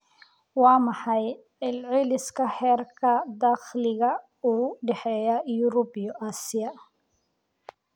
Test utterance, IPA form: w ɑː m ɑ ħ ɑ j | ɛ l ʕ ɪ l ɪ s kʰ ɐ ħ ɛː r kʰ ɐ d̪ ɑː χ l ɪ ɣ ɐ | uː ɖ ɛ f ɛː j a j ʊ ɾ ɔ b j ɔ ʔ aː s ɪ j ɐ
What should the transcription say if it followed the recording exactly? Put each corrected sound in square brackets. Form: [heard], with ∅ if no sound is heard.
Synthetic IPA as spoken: w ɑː m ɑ ħ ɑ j | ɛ l ʕ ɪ l ɪ s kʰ ɐ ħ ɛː r kʰ ɐ d̪ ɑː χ l ɪ ɣ ɐ | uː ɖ ɛ [ħ] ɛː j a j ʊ ɾ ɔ b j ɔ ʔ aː s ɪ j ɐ